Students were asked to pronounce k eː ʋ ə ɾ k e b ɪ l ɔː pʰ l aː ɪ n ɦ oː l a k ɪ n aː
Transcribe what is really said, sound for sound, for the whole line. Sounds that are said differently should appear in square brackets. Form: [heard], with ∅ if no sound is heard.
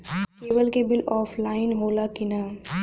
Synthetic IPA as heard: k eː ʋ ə [l] k e b ɪ l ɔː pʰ l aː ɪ n ɦ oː l a k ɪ n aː